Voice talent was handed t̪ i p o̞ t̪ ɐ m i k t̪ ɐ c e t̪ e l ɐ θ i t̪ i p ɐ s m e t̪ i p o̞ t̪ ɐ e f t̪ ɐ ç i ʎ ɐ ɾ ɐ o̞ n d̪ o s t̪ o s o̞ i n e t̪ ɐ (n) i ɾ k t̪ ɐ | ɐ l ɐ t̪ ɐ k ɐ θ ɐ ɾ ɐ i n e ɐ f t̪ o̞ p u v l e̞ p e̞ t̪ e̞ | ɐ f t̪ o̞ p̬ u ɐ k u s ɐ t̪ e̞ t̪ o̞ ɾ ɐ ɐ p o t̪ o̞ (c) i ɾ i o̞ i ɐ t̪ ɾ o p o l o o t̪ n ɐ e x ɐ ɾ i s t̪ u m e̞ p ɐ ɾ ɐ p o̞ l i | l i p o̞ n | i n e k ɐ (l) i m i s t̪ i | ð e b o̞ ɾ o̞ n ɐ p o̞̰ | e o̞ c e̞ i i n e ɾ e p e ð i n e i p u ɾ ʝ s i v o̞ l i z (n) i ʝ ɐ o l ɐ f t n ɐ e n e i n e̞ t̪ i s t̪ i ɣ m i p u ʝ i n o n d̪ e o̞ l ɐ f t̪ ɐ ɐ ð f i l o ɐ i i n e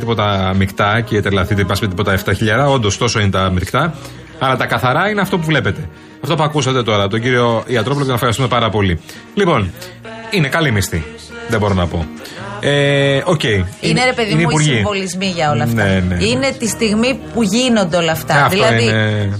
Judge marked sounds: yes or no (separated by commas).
no, no, yes, no